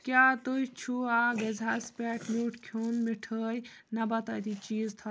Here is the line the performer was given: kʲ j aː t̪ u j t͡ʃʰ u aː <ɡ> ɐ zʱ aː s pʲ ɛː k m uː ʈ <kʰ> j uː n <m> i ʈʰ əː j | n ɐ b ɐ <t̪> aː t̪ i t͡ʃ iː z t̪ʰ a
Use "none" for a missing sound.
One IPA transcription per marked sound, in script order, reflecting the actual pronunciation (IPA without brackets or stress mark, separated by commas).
ɡ, kʰ, m, t̪